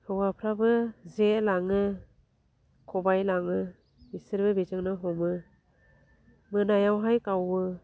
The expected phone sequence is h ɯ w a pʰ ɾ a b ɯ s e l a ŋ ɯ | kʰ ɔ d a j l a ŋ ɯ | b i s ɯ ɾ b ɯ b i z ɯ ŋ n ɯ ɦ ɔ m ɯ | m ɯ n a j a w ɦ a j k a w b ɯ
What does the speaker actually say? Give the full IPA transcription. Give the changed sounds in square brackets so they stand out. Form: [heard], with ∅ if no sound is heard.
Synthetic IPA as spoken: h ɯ w a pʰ ɾ a b ɯ [z] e l a ŋ ɯ | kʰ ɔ [b] a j l a ŋ ɯ | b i s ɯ ɾ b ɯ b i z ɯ ŋ n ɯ ɦ ɔ m ɯ | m ɯ n a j a w ɦ a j k a w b ɯ